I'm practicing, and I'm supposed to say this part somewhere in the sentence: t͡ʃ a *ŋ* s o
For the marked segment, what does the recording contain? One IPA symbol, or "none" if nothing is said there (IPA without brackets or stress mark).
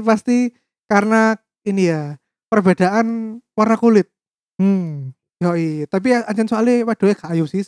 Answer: n